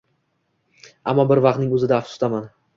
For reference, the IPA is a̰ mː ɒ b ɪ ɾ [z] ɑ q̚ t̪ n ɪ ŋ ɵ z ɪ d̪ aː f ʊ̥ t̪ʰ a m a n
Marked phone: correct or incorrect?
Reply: incorrect